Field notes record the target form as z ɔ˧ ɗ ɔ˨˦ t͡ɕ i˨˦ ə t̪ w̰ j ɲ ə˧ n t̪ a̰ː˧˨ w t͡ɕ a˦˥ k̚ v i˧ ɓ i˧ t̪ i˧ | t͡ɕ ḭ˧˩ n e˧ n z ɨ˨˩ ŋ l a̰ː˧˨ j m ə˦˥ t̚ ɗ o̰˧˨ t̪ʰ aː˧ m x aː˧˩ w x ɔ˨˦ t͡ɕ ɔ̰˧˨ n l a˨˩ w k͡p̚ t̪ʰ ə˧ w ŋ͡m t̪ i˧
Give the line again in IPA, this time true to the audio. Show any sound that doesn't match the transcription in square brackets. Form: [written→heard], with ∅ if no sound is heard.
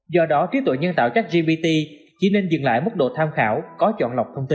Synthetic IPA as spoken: z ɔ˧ ɗ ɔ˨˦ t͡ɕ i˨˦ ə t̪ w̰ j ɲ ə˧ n t̪ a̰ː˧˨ w t͡ɕ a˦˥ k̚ [v→z] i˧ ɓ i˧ t̪ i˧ | t͡ɕ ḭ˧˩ n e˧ n z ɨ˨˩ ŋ l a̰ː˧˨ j m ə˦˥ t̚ ɗ o̰˧˨ t̪ʰ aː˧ m x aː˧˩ w [x→k] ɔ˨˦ t͡ɕ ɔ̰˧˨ n l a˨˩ w k͡p̚ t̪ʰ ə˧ w ŋ͡m t̪ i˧